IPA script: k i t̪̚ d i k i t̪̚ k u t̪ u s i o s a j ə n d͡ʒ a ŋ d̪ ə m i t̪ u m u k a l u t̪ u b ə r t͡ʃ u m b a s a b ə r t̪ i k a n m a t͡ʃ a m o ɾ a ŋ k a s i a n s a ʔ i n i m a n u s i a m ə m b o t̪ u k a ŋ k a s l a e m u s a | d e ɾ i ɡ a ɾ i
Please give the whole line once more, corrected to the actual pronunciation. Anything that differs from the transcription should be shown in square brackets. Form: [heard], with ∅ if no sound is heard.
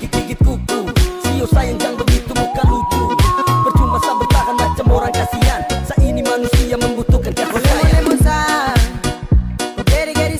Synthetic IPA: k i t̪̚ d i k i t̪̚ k u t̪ u s i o s a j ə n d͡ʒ a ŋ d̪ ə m i t̪ u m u k a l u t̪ u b ə r t͡ʃ u m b a s a b ə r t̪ [a] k a n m a t͡ʃ a m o ɾ a ŋ k a s i a n s a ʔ i n i m a n u s i a m ə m b [u] t̪ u k a [n] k a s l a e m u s a | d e ɾ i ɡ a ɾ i